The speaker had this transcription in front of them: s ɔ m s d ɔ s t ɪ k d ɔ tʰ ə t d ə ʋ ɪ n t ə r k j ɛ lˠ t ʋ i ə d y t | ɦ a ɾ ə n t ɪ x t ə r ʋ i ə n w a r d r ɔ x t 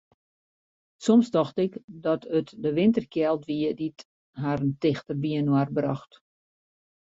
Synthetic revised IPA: s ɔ m s d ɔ x t ɪ k d ɔ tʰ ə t d ə ʋ ɪ n t ə r k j ɛ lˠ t ʋ i ə d i t | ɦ a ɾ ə n t ɪ x t ə r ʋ i ə n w a r b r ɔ x t